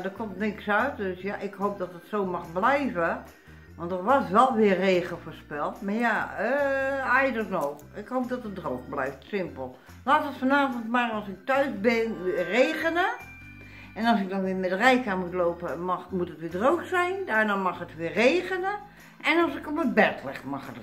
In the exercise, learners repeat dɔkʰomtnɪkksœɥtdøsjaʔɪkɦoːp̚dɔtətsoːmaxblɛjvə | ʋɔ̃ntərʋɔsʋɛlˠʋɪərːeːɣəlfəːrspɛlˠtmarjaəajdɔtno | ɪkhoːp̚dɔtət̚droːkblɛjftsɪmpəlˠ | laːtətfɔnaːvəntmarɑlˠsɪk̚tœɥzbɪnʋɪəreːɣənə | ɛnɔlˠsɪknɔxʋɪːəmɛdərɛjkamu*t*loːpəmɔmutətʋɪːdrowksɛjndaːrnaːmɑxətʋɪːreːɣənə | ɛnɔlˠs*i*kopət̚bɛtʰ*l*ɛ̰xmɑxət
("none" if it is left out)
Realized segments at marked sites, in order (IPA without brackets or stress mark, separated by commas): t, ɪ, l